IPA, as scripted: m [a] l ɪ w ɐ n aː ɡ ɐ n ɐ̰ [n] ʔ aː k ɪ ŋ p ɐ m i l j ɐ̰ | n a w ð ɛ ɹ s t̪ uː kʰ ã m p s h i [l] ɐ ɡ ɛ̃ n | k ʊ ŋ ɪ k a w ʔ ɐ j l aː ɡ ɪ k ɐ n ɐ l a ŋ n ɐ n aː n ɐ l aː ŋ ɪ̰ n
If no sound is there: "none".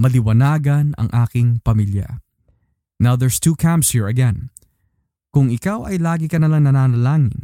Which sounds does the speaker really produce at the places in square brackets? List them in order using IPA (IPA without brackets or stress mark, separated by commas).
ɐ, ŋ, ɹ